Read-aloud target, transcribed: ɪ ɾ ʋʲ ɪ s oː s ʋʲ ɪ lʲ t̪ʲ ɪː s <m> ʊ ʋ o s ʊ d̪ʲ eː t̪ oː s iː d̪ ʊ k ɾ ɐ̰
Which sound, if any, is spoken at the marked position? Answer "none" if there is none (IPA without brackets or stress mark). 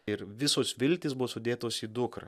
b